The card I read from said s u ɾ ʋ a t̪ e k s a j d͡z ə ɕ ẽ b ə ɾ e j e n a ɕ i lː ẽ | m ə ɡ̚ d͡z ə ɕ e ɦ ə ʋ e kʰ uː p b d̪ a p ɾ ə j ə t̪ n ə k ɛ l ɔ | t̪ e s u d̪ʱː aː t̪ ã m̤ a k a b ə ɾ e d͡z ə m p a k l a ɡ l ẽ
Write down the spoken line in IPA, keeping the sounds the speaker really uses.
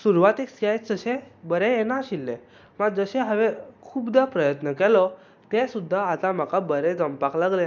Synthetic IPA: s u ɾ ʋ a t̪ e k s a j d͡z ə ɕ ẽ b ə ɾ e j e n a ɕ i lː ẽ | m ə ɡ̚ d͡z ə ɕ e ɦ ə ʋ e kʰ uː b d̪ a p ɾ ə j ə t̪ n ə k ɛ l ɔ | t̪ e s u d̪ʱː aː t̪ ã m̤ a k a b ə ɾ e d͡z ə m p a k l a ɡ l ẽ